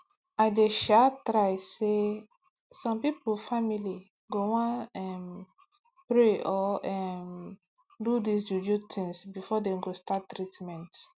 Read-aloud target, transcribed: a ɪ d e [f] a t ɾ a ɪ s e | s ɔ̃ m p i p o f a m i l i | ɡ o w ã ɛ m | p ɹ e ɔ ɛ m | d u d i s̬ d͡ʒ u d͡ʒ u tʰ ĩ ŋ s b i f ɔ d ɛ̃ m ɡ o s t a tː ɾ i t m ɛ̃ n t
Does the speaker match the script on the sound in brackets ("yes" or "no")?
no